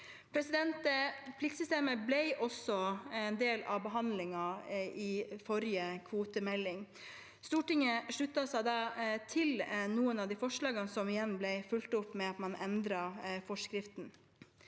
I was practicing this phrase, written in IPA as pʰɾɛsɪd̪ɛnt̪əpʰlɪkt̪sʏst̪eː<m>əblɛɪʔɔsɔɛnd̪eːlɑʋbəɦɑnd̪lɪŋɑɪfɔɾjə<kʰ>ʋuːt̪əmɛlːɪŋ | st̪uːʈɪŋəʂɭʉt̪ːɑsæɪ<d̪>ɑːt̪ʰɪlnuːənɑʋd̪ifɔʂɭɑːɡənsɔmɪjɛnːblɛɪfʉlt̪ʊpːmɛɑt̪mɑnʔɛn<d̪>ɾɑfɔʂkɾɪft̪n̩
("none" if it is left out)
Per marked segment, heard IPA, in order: m, kʰ, d̪, d̪

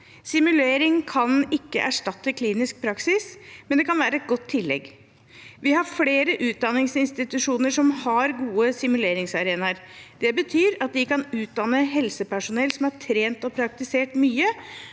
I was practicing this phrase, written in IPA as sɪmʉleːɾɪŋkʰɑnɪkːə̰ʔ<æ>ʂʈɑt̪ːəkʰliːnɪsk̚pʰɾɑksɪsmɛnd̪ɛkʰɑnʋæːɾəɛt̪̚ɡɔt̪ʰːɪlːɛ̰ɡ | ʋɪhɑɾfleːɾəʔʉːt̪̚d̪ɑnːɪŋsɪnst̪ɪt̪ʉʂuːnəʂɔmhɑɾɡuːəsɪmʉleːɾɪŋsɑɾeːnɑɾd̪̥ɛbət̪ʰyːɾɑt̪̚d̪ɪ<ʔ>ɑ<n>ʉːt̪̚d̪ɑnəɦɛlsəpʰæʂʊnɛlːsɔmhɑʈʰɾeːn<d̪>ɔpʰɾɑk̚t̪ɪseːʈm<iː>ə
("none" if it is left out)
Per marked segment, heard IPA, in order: æ, k, n, t̪, yː

